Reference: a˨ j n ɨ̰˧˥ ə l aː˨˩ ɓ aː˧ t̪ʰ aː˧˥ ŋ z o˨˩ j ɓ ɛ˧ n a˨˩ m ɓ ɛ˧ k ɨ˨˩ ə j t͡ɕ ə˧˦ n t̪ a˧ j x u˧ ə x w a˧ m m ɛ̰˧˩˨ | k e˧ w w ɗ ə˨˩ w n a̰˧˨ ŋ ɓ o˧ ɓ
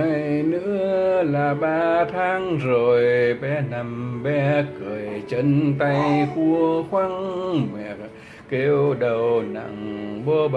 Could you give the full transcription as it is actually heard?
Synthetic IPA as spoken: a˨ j n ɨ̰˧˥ ə l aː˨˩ ɓ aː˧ t̪ʰ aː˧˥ ŋ z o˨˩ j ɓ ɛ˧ n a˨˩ m ɓ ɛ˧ k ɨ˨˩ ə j t͡ɕ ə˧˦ n t̪ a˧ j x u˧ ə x w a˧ ŋ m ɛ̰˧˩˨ | k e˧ w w ɗ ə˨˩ w n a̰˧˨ ŋ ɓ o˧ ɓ